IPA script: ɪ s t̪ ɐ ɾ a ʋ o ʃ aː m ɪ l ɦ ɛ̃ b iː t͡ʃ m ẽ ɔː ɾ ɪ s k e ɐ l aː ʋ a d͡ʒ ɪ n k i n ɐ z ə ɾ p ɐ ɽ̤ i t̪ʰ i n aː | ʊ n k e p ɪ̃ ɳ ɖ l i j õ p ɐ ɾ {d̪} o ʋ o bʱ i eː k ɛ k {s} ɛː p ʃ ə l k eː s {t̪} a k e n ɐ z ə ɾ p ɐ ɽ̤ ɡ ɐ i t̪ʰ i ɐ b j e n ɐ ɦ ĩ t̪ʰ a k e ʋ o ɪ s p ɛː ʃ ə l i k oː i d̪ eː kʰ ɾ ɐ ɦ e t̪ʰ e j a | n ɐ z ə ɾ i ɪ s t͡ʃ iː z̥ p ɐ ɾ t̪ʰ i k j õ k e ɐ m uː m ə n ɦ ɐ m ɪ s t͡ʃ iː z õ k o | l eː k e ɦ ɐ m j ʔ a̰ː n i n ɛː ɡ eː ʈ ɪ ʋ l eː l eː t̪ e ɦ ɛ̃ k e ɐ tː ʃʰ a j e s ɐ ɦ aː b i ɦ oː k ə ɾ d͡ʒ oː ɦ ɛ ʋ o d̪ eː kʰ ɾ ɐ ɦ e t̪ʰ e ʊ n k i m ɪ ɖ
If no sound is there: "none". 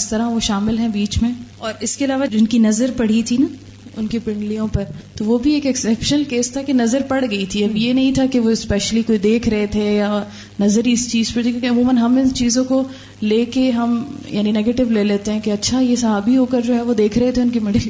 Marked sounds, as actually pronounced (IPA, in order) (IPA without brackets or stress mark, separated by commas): t̪, s, t̪ʰ